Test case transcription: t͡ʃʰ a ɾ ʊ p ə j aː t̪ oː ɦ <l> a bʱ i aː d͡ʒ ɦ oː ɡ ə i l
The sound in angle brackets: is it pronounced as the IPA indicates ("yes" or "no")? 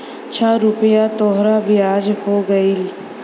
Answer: no